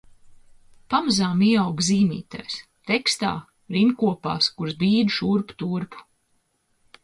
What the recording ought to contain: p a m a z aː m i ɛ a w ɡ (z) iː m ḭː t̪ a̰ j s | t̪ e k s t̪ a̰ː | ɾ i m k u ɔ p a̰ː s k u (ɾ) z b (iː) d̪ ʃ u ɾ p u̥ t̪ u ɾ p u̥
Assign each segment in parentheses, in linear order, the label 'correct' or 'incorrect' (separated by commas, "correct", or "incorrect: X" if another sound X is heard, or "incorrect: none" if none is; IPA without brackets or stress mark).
correct, correct, correct